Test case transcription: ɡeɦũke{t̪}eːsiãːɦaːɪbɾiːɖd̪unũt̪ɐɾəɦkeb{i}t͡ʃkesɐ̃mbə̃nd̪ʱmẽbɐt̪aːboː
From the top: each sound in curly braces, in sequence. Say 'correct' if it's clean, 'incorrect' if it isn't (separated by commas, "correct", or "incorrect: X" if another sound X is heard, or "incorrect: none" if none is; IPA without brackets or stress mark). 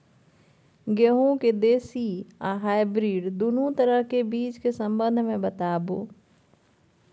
incorrect: d̪, incorrect: iː